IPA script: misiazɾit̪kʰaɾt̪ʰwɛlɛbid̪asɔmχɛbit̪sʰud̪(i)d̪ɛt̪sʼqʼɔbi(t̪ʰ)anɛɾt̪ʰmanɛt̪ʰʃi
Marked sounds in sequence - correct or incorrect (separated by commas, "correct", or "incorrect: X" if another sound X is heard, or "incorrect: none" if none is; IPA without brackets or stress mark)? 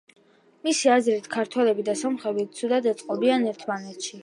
incorrect: a, incorrect: none